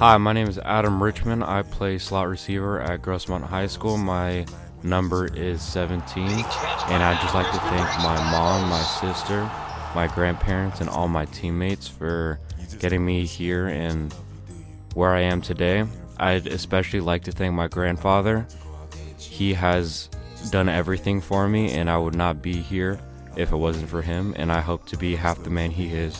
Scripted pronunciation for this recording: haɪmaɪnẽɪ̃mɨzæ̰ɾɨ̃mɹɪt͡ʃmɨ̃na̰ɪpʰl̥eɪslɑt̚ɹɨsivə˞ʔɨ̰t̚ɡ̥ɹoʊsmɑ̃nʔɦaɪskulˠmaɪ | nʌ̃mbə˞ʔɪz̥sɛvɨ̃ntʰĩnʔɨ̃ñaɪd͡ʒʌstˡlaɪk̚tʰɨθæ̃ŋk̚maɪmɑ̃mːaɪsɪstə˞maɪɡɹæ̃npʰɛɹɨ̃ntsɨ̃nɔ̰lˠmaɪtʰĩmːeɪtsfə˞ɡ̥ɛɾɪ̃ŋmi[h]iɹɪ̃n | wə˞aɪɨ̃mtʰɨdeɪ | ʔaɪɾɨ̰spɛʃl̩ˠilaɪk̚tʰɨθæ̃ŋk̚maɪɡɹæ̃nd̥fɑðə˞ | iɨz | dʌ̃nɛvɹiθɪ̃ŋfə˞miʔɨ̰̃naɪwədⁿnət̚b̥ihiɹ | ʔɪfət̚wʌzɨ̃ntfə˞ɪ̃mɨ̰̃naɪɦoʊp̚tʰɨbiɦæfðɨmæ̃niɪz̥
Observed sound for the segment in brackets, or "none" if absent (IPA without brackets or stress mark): h